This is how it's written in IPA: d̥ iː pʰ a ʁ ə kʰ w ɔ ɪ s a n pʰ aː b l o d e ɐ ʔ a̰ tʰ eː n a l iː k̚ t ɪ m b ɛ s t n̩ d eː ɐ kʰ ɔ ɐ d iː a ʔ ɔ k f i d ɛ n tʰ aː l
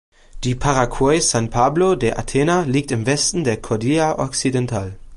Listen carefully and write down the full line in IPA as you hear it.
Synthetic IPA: d̥ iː pʰ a ʁ a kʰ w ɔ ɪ s a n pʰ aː b l o d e ɐ ʔ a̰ tʰ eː n a l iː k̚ t ɪ m v ɛ s t n̩ d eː ɐ kʰ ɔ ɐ d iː a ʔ ɔ k s i d ɛ n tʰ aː l